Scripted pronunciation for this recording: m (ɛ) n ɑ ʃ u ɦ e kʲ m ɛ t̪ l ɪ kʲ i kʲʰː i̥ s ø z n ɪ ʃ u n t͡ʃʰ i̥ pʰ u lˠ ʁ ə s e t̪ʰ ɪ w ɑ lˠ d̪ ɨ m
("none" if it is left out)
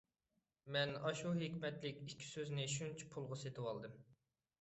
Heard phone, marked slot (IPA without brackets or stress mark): ɛ